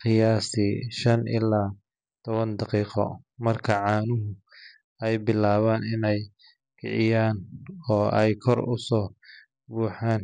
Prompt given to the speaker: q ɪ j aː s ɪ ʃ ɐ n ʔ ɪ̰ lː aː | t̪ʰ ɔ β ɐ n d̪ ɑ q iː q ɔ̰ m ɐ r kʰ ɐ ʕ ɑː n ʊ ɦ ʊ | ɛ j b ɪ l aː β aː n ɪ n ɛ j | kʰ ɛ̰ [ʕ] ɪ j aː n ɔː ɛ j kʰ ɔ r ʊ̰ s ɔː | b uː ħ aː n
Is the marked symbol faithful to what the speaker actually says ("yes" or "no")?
yes